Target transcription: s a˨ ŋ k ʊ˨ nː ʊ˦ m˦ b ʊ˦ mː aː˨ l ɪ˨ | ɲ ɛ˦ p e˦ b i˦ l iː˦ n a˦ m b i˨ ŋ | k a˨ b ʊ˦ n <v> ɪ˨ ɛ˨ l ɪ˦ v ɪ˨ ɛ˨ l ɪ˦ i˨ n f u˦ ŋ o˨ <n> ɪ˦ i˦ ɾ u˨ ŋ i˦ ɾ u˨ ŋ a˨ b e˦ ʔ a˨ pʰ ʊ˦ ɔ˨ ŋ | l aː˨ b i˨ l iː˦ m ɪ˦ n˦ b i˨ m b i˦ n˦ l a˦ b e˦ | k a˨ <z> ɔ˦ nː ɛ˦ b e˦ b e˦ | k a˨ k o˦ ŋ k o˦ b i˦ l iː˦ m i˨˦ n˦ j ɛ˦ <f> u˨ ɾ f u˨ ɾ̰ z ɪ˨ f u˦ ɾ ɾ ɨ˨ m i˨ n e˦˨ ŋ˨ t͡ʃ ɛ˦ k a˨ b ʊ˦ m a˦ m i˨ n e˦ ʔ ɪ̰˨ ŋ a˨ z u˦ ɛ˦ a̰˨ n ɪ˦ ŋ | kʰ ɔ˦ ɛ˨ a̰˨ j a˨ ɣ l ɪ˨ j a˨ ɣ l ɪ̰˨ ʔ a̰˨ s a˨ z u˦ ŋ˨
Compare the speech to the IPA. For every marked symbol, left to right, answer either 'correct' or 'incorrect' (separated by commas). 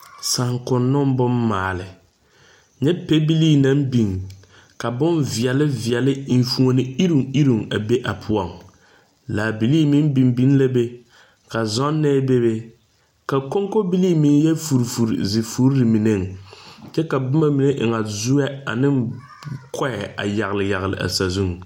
correct, correct, correct, correct